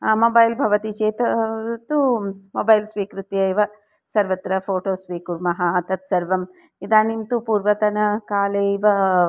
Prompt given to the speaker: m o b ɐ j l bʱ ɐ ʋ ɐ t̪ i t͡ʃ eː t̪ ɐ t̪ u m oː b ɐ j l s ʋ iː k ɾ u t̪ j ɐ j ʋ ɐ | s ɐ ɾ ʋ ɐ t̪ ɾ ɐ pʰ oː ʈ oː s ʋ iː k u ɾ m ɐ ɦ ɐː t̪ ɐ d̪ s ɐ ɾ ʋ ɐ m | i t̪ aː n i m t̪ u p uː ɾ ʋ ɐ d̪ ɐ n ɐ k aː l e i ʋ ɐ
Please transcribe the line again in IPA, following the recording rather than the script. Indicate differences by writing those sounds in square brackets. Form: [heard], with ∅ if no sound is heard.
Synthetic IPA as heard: m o b ɐ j l bʱ ɐ ʋ ɐ t̪ i t͡ʃ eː t̪ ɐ t̪ u m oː b ɐ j l s ʋ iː k ɾ u t̪ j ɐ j ʋ ɐ | s ɐ ɾ ʋ ɐ t̪ ɾ ɐ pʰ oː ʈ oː s ʋ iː k u ɾ m ɐ ɦ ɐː t̪ ɐ [t̪] s ɐ ɾ ʋ ɐ m | i [d̪] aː n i m t̪ u p uː ɾ ʋ ɐ [t̪] ɐ n ɐ k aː l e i ʋ ɐ